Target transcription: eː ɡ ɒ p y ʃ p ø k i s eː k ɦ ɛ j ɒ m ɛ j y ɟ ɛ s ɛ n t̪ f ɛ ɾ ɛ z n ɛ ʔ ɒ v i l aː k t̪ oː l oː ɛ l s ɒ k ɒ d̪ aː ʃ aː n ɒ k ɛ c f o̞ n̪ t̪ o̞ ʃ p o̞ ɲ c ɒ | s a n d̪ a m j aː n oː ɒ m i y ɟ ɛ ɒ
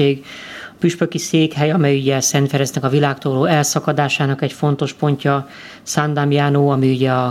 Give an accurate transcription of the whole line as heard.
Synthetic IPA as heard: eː ɡ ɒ p y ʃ p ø k i s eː k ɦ ɛ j ɒ m ɛ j y ɟ ɛ s ɛ n t̪ f ɛ ɾ ɛ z n ɛ k ɒ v i l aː k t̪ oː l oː ɛ l s ɒ k ɒ d̪ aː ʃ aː n ɒ k ɛ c f o̞ n̪ t̪ o̞ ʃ p o̞ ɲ c ɒ | s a n d̪ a m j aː n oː ɒ m i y ɟ ɛ ɒ